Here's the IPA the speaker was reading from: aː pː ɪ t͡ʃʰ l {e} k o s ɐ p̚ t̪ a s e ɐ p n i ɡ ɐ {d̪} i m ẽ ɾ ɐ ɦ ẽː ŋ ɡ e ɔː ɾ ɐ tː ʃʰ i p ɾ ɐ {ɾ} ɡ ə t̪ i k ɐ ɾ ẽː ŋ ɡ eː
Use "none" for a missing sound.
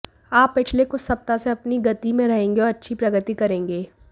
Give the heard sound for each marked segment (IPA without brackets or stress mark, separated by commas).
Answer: e, t̪, none